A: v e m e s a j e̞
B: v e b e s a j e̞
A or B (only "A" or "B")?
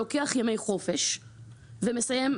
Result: A